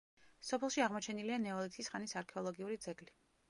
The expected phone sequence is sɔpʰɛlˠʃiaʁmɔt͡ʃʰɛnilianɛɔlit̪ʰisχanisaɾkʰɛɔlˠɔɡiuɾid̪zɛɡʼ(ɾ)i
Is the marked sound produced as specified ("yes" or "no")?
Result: no